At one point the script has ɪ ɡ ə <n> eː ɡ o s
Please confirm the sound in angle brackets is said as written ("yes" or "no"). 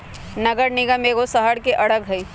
no